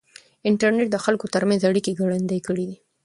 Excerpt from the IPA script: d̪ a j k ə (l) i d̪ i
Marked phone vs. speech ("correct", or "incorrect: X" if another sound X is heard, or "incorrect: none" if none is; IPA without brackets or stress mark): incorrect: ɽ